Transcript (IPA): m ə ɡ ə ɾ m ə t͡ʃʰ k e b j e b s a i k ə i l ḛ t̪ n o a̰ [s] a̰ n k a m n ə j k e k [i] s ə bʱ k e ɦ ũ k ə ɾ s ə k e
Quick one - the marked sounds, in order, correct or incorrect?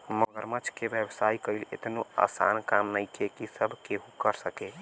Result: correct, correct

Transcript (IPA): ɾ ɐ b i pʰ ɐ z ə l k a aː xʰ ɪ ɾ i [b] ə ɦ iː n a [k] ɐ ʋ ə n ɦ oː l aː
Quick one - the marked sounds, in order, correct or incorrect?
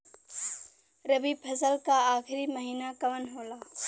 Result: incorrect: m, correct

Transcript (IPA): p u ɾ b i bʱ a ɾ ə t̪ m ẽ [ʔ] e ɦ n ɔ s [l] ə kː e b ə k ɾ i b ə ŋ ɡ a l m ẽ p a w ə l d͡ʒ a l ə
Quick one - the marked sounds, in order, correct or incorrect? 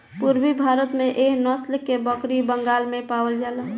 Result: correct, correct

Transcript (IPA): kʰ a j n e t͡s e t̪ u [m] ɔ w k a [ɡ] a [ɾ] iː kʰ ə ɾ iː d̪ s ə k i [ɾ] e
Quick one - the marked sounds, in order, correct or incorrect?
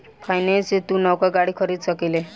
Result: incorrect: n, correct, incorrect: ɽ, incorrect: l

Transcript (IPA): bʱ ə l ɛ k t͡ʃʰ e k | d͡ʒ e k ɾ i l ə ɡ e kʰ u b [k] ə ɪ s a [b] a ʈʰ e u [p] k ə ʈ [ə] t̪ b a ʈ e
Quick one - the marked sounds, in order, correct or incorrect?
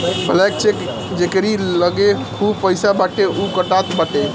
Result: incorrect: p, correct, incorrect: none, incorrect: a

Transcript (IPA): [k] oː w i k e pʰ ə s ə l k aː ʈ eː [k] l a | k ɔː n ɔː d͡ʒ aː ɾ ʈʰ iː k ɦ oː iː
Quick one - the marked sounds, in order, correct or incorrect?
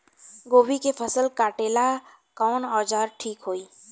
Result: incorrect: ɡ, incorrect: none

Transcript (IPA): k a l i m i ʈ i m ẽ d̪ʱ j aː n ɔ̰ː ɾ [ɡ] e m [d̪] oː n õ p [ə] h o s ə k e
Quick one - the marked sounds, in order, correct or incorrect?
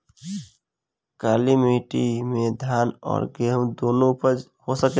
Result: correct, correct, correct

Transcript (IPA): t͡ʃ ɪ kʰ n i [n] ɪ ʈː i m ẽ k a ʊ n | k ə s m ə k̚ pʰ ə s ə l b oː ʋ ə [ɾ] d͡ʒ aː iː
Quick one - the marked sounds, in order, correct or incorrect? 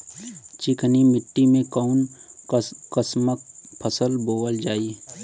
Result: incorrect: m, incorrect: l

